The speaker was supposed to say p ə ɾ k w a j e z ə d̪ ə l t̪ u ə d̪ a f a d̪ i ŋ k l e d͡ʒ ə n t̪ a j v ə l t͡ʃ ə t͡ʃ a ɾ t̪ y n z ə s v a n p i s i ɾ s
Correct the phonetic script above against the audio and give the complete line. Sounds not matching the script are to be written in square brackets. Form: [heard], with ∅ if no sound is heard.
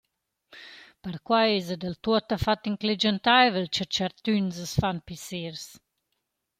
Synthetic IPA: p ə ɾ k w a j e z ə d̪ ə l t̪ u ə [t̪] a f a [t̪] i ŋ k l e d͡ʒ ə n t̪ a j v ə l t͡ʃ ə t͡ʃ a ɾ t̪ y n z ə s [f] a n p i s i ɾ s